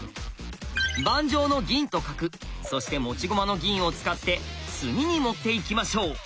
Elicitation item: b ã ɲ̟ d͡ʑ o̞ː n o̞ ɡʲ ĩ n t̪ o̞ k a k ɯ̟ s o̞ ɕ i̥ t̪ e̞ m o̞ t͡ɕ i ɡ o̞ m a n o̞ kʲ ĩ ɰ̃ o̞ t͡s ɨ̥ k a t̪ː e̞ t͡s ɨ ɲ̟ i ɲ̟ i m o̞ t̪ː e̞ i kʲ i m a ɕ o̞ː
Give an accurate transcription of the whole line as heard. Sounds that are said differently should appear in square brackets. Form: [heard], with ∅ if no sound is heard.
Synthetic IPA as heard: b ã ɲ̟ d͡ʑ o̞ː n o̞ ɡʲ ĩ n t̪ o̞ k a k ɯ̟ s o̞ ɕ i̥ t̪ e̞ m o̞ t͡ɕ i ɡ o̞ m a n o̞ [ɡʲ] ĩ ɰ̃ o̞ t͡s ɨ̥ k a t̪ː e̞ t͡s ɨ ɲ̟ i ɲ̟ i m o̞ t̪ː e̞ i kʲ i m a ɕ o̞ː